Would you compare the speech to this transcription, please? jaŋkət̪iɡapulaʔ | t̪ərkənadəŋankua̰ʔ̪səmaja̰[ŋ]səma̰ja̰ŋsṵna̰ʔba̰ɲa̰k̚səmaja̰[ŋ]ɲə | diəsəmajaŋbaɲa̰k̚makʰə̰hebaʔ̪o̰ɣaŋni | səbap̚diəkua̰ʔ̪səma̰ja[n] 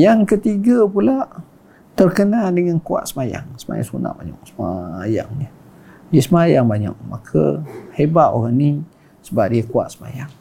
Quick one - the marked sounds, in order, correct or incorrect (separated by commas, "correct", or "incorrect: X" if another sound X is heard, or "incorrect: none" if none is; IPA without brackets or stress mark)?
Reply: correct, correct, incorrect: ŋ